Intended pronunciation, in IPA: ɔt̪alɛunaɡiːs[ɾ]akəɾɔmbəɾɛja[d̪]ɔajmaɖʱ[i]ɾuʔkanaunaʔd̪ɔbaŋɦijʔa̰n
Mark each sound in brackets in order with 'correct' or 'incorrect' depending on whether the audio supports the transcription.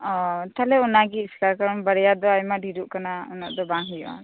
incorrect: l, correct, correct

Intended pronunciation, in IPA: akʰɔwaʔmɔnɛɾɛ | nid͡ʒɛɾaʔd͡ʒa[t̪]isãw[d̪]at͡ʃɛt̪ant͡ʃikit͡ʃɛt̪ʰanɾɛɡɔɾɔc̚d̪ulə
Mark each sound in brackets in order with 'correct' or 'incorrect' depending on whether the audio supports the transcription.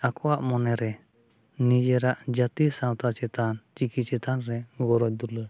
correct, incorrect: t̪

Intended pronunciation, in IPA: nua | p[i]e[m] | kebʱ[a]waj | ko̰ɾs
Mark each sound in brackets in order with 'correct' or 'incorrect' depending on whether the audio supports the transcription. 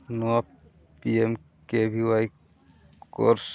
correct, correct, incorrect: i

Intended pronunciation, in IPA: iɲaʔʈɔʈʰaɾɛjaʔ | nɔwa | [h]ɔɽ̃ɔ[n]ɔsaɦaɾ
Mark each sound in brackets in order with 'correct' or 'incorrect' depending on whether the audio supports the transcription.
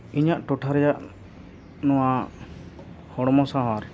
correct, incorrect: m

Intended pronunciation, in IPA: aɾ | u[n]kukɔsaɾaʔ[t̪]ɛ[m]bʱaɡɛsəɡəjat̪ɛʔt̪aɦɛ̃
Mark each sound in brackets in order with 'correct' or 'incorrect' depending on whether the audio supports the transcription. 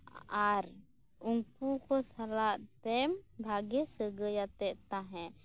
incorrect: ŋ, correct, correct

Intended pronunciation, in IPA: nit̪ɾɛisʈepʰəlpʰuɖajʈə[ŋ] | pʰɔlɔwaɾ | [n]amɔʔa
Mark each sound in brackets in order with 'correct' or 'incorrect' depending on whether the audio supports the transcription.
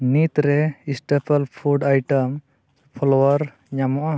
incorrect: m, incorrect: ɲ

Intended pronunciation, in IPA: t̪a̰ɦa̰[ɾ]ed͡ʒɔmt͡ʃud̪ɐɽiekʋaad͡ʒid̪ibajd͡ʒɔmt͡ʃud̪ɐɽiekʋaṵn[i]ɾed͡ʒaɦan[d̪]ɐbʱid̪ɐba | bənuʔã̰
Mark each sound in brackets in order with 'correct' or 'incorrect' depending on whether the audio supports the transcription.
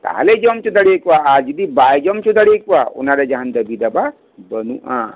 incorrect: l, incorrect: a, correct

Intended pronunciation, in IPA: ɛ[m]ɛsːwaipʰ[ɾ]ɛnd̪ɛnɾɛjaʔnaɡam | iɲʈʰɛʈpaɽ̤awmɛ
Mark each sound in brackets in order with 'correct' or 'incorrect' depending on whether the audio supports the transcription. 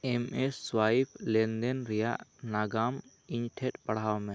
correct, incorrect: l

